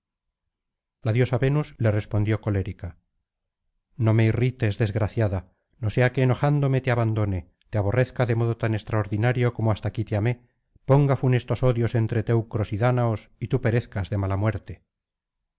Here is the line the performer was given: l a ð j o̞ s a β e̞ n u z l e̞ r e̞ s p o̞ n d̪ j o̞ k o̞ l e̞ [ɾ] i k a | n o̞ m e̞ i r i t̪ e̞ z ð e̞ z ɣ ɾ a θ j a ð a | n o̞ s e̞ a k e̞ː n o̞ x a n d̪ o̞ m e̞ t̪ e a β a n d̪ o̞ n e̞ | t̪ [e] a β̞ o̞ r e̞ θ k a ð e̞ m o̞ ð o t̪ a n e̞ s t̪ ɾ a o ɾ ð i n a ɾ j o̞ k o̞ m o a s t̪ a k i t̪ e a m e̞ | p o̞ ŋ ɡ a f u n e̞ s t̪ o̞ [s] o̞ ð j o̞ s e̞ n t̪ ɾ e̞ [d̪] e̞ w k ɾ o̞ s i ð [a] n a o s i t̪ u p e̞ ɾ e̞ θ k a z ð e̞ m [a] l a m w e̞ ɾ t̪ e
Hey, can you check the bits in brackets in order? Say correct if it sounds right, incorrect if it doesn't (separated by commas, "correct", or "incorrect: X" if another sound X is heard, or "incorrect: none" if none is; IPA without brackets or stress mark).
correct, correct, correct, incorrect: t̪, correct, correct